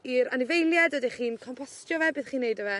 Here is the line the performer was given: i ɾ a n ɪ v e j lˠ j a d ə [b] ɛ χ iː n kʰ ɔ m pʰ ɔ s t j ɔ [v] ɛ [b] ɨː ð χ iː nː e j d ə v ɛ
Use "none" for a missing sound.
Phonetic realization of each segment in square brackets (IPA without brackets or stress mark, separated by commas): d, v, b